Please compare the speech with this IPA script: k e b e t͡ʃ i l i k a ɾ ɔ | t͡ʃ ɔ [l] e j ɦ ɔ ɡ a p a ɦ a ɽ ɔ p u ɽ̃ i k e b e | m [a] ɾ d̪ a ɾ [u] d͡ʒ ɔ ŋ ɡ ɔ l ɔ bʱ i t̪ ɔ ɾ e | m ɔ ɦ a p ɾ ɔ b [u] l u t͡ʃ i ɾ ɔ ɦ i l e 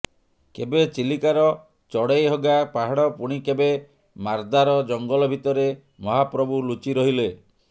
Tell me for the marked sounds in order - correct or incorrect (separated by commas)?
incorrect, correct, incorrect, correct